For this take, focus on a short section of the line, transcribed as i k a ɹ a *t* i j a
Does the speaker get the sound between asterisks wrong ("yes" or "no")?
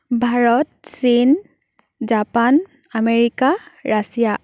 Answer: yes